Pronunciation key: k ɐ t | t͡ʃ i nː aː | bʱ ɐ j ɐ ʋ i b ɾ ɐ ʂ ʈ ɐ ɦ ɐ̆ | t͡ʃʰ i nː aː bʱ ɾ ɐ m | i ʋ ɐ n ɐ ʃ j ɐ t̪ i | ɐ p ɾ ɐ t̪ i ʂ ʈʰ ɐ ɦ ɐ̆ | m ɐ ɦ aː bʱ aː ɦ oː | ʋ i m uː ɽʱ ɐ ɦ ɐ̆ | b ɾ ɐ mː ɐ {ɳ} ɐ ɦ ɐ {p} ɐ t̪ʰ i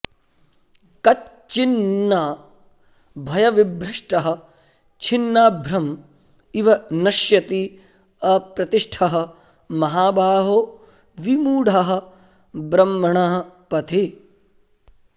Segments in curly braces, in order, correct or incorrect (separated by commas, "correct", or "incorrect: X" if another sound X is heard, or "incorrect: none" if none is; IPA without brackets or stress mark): correct, correct